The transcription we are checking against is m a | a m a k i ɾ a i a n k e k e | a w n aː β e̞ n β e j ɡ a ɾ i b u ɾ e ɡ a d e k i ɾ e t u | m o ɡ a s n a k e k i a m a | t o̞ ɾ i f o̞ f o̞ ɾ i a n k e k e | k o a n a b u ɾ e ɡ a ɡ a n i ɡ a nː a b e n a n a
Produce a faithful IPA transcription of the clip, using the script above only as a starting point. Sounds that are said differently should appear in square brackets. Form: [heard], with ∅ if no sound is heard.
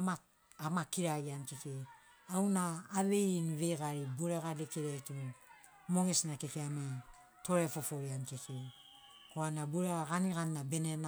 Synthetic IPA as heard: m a | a m a k i ɾ a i a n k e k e | a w n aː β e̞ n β e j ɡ a ɾ i b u ɾ e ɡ a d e k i ɾ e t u | m o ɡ [e] s n a k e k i a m a | t o̞ ɾ [e] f o̞ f o̞ ɾ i a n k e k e | k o a n a b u ɾ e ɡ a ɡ a n i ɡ a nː a b e n [e] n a